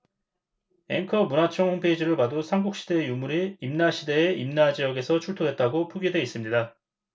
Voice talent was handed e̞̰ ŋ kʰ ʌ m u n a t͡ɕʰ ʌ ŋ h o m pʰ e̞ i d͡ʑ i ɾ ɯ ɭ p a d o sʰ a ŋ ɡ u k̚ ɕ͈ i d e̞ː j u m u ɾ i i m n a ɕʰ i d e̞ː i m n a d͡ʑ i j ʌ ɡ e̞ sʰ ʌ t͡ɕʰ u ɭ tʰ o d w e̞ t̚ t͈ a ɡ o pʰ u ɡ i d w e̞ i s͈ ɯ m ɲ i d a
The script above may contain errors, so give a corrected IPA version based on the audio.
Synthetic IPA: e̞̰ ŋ kʰ ʌ m u n a t͡ɕʰ ʌ ŋ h o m pʰ e̞ i d͡ʑ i ɾ ɯ ɭ p a d o sʰ a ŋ ɡ u k̚ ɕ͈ i d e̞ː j u m u ɾ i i m n a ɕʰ i d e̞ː i m n a d͡ʑ i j ʌ ɡ e̞ sʰ ʌ t͡ɕʰ u ɭ tʰ o d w e̞ t̚ t͈ a ɡ o pʰ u ɡ i d w e̞ i s͈ ɯ m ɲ i d a